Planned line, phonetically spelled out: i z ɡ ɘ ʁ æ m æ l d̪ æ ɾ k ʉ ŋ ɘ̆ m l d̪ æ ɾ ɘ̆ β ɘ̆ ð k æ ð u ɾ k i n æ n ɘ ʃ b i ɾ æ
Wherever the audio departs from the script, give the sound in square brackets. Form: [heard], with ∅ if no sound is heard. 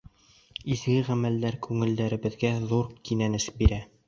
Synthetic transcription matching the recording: i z ɡ ɘ ʁ æ m æ l d̪ æ ɾ k ʉ ŋ ɘ̆ [∅] l d̪ æ ɾ ɘ̆ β ɘ̆ ð [ɡ] æ ð u ɾ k i n æ n ɘ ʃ b i ɾ æ